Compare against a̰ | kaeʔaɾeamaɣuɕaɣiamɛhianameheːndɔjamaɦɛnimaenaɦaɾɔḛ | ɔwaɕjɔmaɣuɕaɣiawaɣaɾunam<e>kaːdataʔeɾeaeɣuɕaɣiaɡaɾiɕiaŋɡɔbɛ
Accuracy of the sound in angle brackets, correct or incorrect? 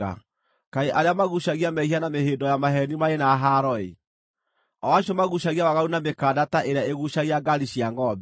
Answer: correct